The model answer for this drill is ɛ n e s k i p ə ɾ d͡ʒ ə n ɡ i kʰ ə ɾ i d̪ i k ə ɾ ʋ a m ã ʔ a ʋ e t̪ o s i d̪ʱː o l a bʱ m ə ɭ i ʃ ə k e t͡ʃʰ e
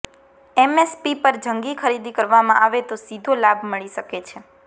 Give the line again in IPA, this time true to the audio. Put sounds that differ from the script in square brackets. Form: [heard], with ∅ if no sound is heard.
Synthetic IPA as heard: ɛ [m] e s [p] i p ə ɾ d͡ʒ ə [ŋ] ɡ i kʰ ə ɾ i d̪ i k ə ɾ ʋ a m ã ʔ a ʋ e t̪ o s i [d̪ʱ] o l a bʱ m ə ɭ i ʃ ə k e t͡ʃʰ e